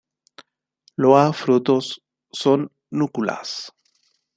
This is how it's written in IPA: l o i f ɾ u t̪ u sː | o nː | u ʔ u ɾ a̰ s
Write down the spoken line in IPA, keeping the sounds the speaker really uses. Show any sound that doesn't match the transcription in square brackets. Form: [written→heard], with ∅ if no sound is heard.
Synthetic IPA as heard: l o [i→a] f ɾ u t̪ [u→o] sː | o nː | u [ʔ→k] u [ɾ→l] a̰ s